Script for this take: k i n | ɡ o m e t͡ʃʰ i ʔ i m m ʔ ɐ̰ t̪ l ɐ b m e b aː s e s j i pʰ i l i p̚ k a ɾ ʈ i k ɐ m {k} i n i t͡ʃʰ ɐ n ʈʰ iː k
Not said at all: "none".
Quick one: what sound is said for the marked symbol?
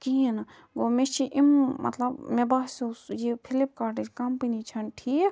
p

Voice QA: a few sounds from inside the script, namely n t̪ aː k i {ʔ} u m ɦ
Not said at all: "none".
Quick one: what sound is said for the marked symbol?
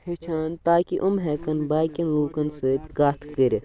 ʔ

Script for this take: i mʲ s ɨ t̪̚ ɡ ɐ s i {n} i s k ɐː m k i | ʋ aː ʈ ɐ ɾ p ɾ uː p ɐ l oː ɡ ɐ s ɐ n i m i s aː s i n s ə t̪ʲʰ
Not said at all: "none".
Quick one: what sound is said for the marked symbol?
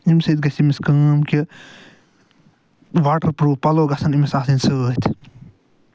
m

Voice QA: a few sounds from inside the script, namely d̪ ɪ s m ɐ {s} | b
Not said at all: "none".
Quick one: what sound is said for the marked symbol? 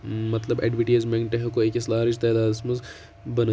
z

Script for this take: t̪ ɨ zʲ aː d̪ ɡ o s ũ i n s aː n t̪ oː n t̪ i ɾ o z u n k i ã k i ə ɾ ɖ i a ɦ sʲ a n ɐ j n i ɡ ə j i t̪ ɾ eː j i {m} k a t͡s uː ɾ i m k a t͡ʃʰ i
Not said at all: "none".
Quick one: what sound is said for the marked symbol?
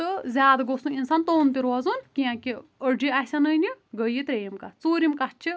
m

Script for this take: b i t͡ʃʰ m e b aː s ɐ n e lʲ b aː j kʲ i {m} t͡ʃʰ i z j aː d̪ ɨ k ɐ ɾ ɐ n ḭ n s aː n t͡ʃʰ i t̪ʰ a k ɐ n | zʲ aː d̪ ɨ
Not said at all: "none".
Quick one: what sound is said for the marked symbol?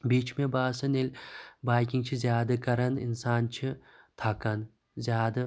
ŋ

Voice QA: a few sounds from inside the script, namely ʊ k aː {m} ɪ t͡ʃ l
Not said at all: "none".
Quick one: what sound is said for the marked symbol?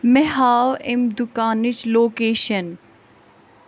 n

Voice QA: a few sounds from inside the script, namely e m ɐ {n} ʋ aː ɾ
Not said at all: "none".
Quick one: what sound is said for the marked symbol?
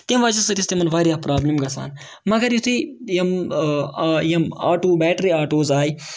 n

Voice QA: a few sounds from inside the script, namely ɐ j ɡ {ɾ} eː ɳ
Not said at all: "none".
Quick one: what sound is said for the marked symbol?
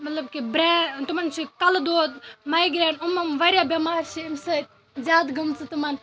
ɾ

